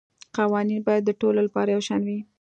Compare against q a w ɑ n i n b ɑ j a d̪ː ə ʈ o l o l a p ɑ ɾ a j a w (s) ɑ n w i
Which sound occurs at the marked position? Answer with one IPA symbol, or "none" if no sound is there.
ʃ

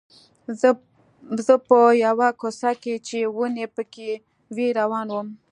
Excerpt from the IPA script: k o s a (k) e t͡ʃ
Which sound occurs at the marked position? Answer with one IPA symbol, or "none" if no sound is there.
k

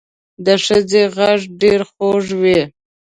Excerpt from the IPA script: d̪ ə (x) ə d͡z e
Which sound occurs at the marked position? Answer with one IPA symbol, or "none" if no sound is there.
ʂ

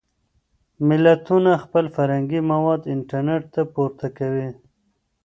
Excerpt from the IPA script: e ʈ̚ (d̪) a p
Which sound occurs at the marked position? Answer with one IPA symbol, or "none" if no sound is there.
t̪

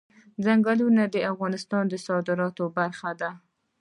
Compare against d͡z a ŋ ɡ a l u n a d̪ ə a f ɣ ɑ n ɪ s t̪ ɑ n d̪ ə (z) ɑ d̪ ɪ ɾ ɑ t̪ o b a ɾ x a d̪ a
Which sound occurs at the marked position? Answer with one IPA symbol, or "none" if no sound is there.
s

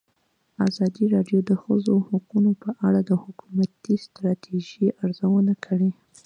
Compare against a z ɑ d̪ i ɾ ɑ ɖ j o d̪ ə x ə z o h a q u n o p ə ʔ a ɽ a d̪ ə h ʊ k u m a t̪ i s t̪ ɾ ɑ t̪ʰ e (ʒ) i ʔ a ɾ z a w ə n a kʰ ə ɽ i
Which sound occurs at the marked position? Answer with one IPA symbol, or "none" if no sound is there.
ʒ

